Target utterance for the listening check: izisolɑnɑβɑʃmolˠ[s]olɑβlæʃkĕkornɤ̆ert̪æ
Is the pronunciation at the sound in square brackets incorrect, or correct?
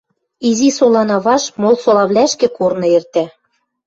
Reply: correct